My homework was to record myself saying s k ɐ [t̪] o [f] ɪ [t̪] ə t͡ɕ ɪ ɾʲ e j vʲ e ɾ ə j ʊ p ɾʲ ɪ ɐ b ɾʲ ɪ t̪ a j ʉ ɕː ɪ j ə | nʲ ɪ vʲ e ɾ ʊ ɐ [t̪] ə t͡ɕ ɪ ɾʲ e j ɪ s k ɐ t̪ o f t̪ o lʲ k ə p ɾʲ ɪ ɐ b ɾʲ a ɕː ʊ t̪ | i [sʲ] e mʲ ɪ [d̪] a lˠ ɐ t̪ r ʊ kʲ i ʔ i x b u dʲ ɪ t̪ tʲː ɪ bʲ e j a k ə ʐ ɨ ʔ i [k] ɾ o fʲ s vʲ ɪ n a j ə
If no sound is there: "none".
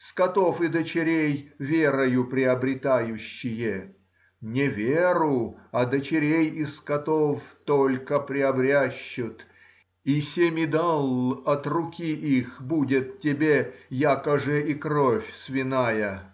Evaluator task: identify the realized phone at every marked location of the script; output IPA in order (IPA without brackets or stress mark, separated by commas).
t̪, f, d̪, d̪, sʲ, d̪, k